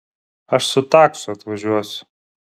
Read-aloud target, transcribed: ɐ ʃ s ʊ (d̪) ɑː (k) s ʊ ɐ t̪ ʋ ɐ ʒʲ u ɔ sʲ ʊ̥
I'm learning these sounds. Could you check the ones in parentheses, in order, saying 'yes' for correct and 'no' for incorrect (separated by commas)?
no, yes